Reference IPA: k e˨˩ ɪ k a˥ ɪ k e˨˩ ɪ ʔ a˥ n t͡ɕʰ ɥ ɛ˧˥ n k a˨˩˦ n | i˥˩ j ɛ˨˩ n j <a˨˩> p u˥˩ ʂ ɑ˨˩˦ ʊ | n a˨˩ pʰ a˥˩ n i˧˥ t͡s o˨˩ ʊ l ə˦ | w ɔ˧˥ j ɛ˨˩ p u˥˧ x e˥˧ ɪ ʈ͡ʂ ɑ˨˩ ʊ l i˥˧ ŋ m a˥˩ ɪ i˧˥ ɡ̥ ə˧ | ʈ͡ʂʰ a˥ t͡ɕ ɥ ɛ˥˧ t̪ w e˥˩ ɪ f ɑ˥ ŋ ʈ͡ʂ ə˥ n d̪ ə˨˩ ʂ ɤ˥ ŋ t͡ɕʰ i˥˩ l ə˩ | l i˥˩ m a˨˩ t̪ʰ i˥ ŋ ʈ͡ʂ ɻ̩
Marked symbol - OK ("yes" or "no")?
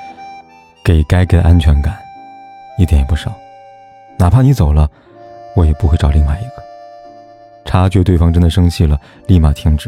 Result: no